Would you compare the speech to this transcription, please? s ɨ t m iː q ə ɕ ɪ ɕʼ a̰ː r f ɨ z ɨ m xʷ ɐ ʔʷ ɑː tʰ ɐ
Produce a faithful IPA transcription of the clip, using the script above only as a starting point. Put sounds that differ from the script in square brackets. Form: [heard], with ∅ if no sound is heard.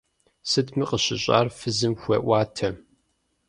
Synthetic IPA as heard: s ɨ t m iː q ə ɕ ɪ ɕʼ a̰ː r f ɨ z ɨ m xʷ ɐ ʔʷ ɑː tʰ ɐ

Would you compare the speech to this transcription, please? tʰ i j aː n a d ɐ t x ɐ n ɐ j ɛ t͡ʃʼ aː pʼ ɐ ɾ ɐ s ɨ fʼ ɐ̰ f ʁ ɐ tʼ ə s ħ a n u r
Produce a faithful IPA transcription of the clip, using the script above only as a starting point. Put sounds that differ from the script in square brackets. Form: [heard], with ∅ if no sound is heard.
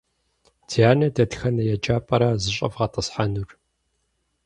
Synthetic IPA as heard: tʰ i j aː n [ɐ] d ɐ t x ɐ n ɐ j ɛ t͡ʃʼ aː pʼ ɐ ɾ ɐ [z] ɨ [ɕʼ] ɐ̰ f ʁ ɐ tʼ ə s ħ a n u r

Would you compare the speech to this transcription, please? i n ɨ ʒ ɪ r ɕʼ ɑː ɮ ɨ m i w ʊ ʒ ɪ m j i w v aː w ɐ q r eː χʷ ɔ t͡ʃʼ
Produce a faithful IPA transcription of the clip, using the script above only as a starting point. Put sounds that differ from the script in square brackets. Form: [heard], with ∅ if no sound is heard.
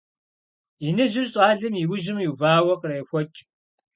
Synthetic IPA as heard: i n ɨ ʒ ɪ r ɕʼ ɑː ɮ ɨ m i w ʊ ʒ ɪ m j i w v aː w ɐ q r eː [xʷ] ɔ t͡ʃʼ

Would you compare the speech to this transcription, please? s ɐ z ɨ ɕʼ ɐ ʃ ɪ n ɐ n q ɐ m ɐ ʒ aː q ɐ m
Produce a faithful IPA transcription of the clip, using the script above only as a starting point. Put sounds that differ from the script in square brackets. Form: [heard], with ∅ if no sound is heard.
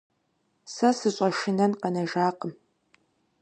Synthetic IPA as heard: s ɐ [s] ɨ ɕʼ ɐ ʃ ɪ n ɐ n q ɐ [n] ɐ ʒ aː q [ə] m

